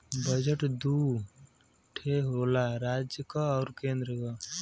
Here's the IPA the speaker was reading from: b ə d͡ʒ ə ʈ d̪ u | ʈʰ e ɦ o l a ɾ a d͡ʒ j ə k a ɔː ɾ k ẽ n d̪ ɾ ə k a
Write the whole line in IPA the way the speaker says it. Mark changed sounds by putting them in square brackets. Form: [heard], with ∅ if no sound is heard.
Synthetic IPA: b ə d͡ʒ ə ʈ d̪ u | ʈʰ e ɦ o l a ɾ a d͡ʒ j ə k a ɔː ɾ k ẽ n d̪ ɾ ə k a